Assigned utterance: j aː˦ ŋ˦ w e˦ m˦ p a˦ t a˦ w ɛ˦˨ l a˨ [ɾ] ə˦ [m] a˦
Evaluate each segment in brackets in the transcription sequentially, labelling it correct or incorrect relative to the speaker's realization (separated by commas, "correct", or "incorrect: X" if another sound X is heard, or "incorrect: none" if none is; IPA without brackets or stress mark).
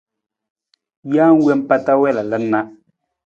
incorrect: l, incorrect: n